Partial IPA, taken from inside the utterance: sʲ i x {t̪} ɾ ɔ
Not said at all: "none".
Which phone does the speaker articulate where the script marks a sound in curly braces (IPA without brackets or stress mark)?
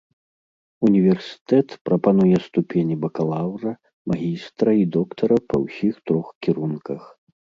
t̪